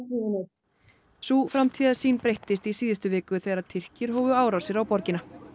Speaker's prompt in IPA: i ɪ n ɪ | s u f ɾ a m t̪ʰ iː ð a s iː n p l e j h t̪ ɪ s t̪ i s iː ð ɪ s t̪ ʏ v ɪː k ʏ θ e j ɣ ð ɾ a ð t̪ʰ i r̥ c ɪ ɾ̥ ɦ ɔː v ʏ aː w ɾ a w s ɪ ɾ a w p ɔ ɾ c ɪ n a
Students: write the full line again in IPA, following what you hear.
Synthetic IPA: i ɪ n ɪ | s u f ɾ a m t̪ʰ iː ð a s iː n p ɾ e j h t̪ ɪ s t̪ i s iː ð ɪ s t̪ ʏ v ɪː k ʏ θ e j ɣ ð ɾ a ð t̪ʰ ɪ r̥ c ɪ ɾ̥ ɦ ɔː v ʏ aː w ɾ a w s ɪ ɾ a w p ɔ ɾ c ɪ n a